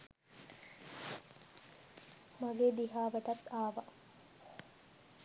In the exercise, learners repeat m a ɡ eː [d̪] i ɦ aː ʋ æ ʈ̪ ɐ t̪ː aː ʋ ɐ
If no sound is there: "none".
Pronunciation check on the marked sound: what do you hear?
d̪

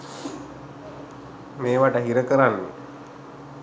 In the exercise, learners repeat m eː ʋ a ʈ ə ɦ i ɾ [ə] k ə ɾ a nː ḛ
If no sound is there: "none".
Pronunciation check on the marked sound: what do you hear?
ə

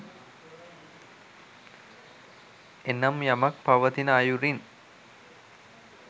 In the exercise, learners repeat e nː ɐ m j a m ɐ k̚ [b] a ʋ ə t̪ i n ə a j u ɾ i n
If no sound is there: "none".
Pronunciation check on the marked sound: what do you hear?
p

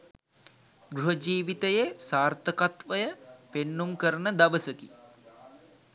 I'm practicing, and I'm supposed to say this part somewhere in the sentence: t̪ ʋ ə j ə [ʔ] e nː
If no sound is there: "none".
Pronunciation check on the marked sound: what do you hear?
p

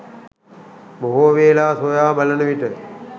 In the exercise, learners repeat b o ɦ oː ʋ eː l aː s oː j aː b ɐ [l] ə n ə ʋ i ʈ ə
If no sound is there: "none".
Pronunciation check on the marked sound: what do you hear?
l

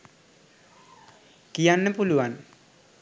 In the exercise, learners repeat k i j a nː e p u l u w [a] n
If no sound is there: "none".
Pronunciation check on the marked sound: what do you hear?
a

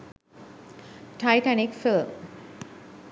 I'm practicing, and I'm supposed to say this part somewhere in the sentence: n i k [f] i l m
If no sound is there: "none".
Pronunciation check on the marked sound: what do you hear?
f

